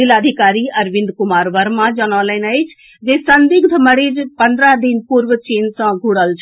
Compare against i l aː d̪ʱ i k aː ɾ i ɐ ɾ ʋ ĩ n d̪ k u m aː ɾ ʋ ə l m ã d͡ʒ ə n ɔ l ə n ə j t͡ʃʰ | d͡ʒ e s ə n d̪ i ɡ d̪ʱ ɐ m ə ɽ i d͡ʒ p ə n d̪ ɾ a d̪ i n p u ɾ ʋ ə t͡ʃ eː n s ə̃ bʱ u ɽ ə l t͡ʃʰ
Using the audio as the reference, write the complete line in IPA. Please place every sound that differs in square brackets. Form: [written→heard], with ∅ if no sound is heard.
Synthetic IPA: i l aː d̪ʱ i k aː ɾ i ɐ ɾ ʋ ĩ n d̪ k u m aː ɾ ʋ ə [l→ɾ] m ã d͡ʒ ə n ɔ l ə n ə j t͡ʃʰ | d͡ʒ e s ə n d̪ i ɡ d̪ʱ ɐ m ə ɽ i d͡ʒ p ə n d̪ ɾ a d̪ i n p u ɾ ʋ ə t͡ʃ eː n s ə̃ [bʱ→ɡʱ] u ɽ ə l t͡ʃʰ